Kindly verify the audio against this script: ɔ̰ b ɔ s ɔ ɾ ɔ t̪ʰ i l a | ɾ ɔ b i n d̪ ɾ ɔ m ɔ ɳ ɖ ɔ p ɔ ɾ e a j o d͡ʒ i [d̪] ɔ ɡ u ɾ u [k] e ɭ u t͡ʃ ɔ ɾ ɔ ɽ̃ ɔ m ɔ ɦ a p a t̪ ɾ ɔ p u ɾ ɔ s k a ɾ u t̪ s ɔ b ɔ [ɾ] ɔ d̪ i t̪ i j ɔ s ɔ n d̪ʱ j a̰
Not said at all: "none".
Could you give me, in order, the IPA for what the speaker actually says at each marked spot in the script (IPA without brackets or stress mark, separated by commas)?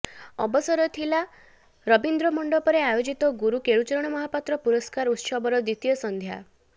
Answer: t̪, k, ɾ